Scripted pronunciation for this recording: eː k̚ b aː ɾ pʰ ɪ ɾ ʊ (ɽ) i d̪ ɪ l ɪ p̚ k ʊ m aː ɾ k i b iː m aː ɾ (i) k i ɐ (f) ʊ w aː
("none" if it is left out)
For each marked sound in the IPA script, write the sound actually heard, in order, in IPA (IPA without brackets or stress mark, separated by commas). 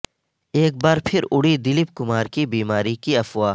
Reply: ɽ, i, f